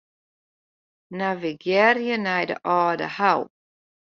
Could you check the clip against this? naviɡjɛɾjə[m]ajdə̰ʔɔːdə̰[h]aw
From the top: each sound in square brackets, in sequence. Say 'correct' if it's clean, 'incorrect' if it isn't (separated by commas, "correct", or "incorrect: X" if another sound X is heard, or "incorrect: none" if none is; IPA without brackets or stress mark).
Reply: incorrect: n, correct